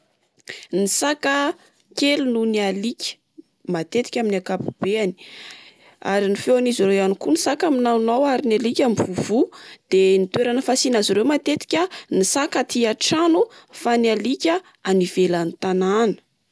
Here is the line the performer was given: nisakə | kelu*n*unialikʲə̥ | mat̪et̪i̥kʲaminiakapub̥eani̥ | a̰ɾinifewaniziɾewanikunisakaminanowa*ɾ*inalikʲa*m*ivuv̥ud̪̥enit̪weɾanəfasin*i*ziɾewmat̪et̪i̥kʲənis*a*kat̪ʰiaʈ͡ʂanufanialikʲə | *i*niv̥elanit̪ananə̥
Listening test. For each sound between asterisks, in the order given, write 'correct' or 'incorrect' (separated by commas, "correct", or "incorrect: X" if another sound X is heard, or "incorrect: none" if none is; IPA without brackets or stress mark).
correct, correct, correct, incorrect: a, correct, incorrect: a